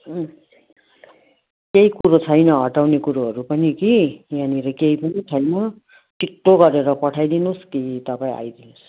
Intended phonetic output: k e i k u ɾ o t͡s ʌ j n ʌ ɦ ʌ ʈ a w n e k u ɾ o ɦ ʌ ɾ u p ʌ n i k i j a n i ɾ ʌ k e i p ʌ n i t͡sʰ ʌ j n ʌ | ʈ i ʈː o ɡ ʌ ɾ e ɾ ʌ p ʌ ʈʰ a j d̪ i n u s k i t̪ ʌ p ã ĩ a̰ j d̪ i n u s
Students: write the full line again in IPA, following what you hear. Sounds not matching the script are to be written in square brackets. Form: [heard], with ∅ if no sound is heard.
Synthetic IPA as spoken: k e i k u ɾ o [t͡sʰ] ʌ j n ʌ ɦ ʌ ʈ a w n e k u ɾ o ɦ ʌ ɾ u p ʌ n i k i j a n i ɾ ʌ k e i p ʌ n i t͡sʰ ʌ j n ʌ | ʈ i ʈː o ɡ ʌ ɾ e ɾ ʌ p ʌ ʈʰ a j d̪ i n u s k i t̪ ʌ p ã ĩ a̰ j d̪ i n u s